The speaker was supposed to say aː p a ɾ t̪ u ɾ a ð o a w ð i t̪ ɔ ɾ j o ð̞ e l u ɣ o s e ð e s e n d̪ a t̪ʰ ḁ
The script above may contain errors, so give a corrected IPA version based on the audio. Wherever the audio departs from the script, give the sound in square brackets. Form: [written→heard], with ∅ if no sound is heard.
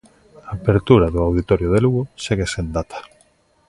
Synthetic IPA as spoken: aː p [a→e] ɾ t̪ u ɾ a ð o a w ð i t̪ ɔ ɾ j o ð̞ e l u ɣ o s e [ð→ɣ] e s e n d̪ a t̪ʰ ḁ